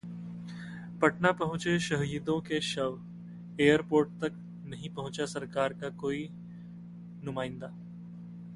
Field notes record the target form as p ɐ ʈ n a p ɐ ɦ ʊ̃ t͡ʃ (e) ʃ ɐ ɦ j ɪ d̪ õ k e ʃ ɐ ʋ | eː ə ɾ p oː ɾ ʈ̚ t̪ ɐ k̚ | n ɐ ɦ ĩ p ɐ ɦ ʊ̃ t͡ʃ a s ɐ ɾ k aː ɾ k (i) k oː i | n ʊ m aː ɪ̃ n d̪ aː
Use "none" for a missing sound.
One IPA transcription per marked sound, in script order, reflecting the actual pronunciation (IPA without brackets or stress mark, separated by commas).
e, a